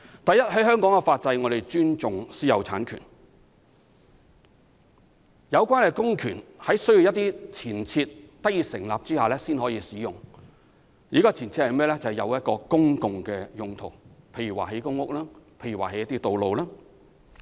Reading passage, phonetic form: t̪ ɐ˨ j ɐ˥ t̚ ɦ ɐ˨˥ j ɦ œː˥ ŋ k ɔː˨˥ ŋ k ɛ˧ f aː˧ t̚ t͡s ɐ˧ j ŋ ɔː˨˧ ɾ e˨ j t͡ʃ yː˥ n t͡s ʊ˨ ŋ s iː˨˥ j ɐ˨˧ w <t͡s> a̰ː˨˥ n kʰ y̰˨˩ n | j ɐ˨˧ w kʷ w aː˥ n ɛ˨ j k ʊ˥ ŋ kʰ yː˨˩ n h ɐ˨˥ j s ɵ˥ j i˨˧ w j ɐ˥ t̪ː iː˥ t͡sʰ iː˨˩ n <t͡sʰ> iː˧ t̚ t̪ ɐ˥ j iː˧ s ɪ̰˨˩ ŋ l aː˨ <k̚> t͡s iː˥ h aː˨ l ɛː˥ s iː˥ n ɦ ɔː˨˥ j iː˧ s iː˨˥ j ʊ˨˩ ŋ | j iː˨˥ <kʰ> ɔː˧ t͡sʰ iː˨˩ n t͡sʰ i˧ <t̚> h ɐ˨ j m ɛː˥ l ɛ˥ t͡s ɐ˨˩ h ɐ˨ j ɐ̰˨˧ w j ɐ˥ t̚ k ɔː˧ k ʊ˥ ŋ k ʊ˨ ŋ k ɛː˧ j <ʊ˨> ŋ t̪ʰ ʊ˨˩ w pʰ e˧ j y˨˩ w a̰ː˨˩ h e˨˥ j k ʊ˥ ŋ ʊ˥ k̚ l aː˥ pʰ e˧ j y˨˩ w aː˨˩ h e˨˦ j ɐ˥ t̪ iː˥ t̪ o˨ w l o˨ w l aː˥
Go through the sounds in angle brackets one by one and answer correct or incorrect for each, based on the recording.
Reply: incorrect, correct, incorrect, incorrect, correct, correct

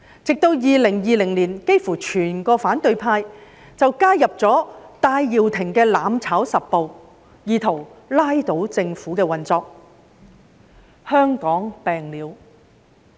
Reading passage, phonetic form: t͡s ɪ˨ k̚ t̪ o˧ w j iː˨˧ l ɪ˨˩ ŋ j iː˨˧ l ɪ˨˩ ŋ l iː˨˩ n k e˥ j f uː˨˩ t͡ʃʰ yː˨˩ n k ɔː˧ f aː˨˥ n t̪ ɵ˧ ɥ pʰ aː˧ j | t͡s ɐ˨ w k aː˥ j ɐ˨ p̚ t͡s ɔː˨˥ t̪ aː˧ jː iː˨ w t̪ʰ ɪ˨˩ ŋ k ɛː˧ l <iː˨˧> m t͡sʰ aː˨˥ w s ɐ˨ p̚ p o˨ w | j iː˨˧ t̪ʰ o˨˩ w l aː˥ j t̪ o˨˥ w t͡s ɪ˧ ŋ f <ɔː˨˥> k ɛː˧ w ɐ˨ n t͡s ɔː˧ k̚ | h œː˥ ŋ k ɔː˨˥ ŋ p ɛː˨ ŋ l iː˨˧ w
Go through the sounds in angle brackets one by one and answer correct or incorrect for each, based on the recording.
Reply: incorrect, incorrect

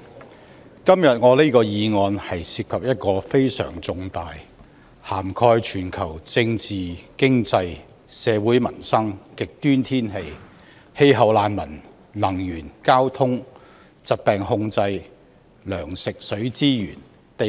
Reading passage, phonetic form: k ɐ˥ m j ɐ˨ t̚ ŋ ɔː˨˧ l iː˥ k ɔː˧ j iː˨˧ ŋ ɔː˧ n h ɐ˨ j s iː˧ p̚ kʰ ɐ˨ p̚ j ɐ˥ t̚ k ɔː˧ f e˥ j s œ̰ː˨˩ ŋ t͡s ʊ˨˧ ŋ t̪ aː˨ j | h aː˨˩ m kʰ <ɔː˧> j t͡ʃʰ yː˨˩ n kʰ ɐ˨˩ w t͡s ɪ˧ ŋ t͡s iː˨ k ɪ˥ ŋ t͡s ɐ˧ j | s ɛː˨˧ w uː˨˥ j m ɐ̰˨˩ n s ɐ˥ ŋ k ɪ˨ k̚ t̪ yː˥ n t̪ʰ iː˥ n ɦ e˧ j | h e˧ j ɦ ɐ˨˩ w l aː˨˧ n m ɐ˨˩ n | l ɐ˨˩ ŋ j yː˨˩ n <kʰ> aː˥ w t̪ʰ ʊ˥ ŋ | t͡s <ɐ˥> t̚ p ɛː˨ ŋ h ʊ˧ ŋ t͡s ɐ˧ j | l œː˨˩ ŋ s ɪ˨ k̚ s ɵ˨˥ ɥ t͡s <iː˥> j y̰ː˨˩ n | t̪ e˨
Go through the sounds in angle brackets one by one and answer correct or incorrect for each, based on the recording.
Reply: correct, incorrect, incorrect, correct

